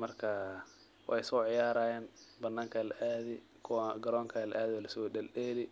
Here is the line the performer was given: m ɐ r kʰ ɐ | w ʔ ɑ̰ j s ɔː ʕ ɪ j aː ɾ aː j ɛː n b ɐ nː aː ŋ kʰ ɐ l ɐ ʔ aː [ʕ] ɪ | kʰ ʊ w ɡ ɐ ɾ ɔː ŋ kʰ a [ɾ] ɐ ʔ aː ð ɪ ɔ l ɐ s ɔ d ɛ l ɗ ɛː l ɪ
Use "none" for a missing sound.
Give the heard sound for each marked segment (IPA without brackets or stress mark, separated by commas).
ð, l